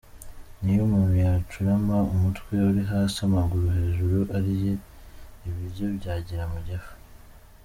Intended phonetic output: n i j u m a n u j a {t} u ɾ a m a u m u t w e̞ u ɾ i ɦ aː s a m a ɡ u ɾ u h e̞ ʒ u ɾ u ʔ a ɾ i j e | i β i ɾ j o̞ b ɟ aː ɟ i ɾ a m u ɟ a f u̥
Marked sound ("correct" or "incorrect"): incorrect